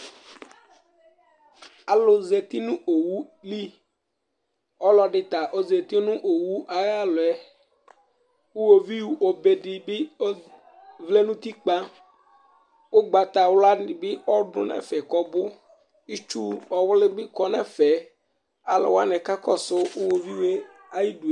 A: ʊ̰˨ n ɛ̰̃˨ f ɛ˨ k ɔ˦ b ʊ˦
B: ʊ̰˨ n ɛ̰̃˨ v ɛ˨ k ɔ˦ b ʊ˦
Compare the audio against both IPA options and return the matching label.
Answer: A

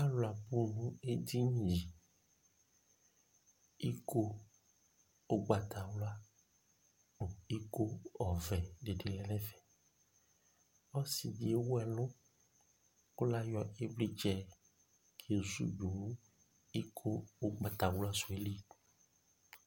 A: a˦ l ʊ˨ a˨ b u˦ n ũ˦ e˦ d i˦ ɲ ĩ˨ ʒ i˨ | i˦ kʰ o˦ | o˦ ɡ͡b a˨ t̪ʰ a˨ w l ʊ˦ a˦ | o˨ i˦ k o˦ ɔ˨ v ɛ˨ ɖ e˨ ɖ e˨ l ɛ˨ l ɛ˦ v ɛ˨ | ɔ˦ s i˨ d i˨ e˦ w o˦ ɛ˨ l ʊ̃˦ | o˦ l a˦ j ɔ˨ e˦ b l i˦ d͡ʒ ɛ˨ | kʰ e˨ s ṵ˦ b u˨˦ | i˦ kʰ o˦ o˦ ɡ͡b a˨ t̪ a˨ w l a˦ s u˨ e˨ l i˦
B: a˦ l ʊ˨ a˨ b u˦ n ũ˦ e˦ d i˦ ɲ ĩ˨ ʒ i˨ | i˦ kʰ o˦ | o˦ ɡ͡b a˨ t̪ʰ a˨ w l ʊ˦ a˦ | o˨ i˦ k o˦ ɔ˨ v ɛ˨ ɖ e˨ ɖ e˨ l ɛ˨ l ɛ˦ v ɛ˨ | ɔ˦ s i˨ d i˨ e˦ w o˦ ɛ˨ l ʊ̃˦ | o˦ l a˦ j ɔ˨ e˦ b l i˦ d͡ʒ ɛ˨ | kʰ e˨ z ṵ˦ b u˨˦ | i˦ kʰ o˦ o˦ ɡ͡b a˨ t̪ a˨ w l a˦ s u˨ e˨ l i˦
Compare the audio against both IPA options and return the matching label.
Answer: B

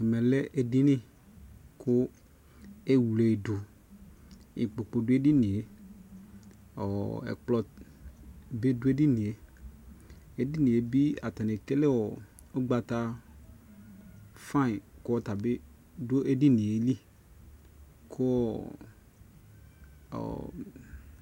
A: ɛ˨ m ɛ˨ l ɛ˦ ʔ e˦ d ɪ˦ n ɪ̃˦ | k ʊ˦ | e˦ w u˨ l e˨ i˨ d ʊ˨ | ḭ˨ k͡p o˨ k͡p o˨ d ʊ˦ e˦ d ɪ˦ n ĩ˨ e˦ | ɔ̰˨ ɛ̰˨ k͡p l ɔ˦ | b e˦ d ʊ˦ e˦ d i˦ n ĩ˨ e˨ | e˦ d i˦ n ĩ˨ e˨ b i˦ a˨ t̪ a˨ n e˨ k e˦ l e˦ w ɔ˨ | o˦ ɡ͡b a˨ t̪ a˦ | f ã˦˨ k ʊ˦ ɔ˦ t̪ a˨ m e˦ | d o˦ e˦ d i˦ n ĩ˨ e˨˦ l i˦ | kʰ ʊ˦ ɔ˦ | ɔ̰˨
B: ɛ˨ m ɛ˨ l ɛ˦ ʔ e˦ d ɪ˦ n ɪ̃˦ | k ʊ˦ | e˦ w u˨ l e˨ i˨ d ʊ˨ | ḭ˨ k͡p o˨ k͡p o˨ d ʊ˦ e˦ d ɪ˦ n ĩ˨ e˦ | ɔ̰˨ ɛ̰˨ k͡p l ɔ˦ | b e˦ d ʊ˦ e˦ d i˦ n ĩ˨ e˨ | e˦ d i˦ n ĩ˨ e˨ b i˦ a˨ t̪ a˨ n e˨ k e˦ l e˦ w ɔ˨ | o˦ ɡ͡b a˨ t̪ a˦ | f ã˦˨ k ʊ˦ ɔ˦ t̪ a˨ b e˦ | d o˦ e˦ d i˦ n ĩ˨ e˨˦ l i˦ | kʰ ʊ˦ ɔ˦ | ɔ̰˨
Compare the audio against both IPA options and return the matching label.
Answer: B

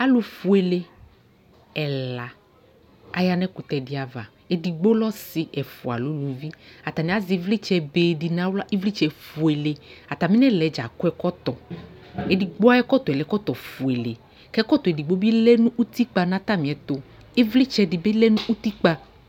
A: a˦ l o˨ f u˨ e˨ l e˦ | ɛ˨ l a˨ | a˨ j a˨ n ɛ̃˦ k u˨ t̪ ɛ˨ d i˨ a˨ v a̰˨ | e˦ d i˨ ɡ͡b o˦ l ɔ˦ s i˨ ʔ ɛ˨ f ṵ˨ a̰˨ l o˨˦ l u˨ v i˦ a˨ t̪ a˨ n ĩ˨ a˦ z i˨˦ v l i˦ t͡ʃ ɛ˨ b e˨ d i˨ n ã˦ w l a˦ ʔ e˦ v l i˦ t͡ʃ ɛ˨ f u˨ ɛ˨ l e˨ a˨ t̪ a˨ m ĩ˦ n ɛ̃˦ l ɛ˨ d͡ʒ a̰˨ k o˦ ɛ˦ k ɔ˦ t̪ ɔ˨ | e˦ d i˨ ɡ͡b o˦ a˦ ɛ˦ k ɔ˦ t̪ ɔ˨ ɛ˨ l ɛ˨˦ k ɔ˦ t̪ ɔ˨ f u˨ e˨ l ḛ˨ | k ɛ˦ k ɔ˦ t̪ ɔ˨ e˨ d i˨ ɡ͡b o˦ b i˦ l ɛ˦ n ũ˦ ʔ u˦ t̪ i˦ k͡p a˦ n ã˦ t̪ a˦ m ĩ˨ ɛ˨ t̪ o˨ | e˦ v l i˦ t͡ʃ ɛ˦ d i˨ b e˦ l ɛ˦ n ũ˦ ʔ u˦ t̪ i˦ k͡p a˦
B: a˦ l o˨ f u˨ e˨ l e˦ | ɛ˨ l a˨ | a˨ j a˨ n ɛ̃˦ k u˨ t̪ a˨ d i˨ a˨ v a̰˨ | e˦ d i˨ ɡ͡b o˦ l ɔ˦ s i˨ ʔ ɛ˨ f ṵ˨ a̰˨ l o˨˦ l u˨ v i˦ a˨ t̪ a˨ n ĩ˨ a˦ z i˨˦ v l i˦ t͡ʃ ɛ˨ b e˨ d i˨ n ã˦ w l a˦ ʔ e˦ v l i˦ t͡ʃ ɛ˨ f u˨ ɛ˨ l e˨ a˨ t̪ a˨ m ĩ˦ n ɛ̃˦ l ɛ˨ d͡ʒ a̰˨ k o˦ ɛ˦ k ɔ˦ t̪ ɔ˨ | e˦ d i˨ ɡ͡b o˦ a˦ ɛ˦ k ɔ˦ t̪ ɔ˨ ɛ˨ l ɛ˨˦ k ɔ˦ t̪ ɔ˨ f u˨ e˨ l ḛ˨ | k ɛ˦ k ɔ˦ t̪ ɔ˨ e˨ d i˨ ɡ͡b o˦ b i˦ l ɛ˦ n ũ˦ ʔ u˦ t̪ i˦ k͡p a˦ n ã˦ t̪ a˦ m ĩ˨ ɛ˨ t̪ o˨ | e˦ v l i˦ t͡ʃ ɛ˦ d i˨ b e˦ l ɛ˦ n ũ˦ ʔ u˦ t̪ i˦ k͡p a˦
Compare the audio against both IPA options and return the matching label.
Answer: A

